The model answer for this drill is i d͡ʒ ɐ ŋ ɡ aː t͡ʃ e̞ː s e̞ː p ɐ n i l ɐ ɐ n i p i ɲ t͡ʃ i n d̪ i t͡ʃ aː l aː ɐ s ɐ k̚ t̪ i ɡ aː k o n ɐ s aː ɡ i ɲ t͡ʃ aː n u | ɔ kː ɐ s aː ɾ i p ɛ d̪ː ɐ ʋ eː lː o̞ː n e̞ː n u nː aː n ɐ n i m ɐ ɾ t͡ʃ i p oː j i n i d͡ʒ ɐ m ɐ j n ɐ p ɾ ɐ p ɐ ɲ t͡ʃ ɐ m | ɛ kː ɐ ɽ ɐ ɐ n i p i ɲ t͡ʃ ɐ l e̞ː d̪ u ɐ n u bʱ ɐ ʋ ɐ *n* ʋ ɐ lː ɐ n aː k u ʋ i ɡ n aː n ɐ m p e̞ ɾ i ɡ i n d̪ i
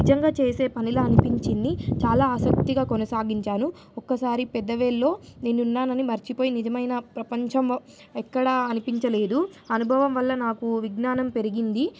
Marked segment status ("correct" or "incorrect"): incorrect